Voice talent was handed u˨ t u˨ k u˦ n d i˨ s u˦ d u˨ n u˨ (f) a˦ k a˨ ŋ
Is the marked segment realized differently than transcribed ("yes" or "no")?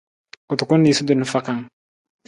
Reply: no